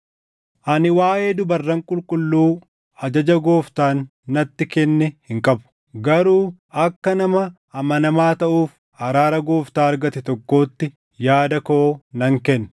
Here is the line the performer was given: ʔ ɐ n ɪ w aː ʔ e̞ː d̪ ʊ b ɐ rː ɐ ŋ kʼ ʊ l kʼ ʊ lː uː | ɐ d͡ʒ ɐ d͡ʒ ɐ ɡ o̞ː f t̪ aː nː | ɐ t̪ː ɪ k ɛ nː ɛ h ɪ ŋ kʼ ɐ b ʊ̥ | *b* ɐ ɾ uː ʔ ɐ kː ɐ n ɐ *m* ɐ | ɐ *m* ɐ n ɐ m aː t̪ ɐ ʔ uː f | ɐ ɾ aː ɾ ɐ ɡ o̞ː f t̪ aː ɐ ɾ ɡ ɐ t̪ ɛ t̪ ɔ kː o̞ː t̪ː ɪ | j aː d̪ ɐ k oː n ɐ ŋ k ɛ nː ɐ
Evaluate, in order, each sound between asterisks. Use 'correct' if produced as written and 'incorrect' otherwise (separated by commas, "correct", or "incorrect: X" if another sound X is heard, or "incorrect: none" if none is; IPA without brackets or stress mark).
incorrect: ɡ, correct, correct